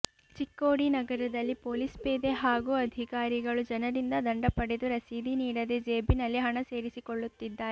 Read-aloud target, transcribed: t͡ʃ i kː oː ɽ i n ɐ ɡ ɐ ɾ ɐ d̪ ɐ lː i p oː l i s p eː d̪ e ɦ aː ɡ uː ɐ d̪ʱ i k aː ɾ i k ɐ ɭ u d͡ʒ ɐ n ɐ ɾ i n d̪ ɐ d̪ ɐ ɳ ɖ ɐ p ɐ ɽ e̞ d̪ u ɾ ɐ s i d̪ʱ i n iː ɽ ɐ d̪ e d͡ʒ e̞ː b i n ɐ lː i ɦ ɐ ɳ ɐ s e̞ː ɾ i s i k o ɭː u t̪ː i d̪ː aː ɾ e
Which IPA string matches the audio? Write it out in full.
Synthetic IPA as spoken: t͡ʃ i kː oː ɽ i n ɐ ɡ ɐ ɾ ɐ d̪ ɐ lː i p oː l i s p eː d̪ e ɦ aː ɡ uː ɐ d̪ʱ i k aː ɾ i ɡ ɐ ɭ u d͡ʒ ɐ n ɐ ɾ i n d̪ ɐ d̪ ɐ ɳ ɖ ɐ p ɐ ɽ e̞ d̪ u ɾ ɐ s i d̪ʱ i n iː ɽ ɐ d̪ e d͡ʒ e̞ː b i n ɐ lː i ɦ ɐ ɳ ɐ s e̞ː ɾ i s i k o ɭː u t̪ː i d̪ː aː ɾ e